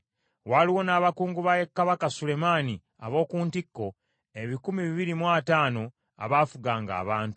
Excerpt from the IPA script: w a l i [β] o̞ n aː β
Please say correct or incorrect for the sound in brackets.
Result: incorrect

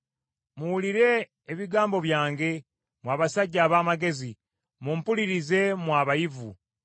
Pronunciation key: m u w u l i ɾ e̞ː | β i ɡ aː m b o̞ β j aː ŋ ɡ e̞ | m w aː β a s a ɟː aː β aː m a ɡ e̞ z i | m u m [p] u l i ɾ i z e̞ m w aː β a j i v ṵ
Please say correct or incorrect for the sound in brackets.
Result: correct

